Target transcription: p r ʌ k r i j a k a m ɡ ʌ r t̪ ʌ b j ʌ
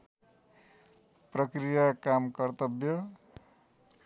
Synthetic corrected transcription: p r ʌ k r i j a k a m k ʌ r t̪ ʌ b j ʌ

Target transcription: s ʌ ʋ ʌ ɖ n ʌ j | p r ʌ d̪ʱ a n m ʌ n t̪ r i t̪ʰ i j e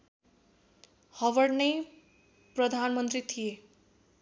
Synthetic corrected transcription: h ʌ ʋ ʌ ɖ n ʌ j | p r ʌ d̪ʱ a n m ʌ n t̪ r i t̪ʰ i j e

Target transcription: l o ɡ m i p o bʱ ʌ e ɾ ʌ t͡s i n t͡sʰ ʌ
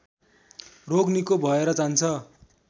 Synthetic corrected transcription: r o ɡ n i k o bʱ ʌ e ɾ ʌ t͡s a n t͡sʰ ʌ

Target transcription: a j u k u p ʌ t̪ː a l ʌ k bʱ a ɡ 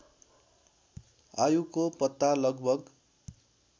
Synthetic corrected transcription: a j u k o p ʌ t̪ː a l ʌ ɡ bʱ ʌ ɡ

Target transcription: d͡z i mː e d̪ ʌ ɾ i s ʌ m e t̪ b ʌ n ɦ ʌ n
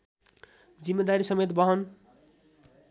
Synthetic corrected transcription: d͡z i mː e d̪ a ɾ i s ʌ m e t̪ b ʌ ɦ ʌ n

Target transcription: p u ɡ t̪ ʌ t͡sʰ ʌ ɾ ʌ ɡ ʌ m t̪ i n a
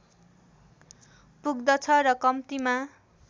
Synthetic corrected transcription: p u ɡ d̪ ʌ t͡sʰ ʌ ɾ ʌ k ʌ m t̪ i m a

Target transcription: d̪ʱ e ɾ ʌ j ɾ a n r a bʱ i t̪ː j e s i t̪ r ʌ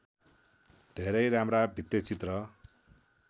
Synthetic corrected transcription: d̪ʱ e ɾ ʌ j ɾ a m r a bʱ i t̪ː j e t͡s i t̪ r ʌ

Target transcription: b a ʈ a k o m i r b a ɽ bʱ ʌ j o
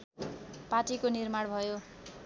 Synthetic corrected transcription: p a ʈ i k o n i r m a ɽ bʱ ʌ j o

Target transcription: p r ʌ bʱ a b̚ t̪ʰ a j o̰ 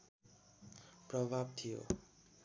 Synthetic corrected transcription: p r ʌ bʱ a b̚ t̪ʰ i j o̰

